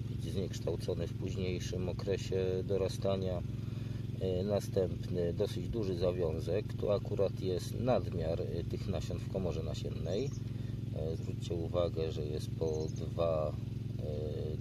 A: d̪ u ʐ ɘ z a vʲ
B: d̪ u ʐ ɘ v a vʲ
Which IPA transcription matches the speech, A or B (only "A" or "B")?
A